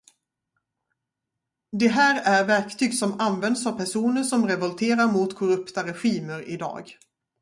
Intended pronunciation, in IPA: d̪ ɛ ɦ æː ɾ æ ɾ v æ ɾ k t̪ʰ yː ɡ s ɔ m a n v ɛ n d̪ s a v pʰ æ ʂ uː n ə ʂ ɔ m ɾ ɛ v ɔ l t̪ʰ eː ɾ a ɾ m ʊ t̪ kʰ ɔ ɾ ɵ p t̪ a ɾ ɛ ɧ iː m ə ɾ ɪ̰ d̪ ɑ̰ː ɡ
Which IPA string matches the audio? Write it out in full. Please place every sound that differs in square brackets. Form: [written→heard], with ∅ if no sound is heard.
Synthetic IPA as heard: d̪ ɛ ɦ æː ɾ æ ɾ v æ ɾ k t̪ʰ yː ɡ s ɔ m a n v ɛ n d̪ s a v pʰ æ ʂ uː n ə ʂ ɔ m ɾ ɛ v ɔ l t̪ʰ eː ɾ a ɾ m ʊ t̪ kʰ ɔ ɾ ɵ p t̪ a ɾ ɛ ɧ iː m ə ɾ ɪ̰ d̪ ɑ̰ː ɡ